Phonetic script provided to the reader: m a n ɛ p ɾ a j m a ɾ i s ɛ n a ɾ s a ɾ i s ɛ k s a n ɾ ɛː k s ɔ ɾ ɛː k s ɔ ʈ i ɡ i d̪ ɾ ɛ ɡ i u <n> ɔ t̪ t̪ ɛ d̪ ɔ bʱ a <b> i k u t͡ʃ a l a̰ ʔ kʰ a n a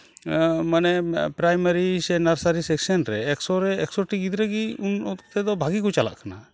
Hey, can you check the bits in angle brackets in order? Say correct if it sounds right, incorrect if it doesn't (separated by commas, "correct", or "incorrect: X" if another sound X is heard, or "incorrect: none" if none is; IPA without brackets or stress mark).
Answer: correct, incorrect: ɡ